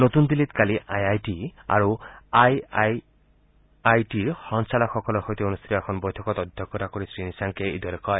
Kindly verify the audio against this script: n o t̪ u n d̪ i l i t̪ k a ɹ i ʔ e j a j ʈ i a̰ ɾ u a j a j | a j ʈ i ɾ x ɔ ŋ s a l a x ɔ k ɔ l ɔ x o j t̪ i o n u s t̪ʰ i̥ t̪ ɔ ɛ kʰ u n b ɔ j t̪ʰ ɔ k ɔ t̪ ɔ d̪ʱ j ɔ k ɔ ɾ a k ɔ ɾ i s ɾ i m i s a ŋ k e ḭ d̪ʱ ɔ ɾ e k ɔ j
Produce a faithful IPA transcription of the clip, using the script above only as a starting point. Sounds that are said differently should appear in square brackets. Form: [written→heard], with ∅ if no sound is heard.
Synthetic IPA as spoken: n o t̪ u n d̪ i l i t̪ k a [ɹ→l] i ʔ [e→a] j a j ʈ i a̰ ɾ u a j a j | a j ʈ i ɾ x ɔ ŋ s a l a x ɔ k ɔ l ɔ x o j t̪ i o n u s t̪ʰ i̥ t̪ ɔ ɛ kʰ [u→ɔ] n b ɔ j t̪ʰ ɔ k ɔ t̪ ɔ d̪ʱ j ɔ k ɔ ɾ a k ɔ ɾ i s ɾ i [m→n] i s a ŋ k e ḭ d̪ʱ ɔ ɾ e k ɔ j